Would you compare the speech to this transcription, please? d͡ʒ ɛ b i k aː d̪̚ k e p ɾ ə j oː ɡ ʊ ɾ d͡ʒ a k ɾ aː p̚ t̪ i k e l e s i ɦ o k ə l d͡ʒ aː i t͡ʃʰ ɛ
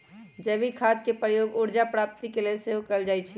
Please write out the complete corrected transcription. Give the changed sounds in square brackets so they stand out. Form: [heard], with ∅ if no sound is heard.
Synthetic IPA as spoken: d͡ʒ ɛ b i [kʰ] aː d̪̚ k e p ɾ ə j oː ɡ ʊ ɾ d͡ʒ a [p] ɾ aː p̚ t̪ i k e l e s [e] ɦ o k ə l d͡ʒ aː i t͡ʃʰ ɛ